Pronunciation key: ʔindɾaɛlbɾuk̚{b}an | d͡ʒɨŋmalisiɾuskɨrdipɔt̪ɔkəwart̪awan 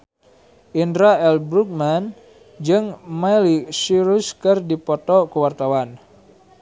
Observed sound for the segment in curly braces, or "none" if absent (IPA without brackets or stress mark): m